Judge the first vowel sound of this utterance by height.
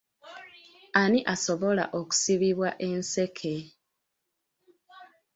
low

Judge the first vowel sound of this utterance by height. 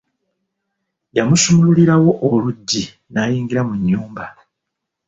low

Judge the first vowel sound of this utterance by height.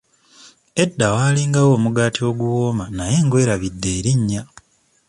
mid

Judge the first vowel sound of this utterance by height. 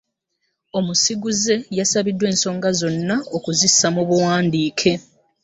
mid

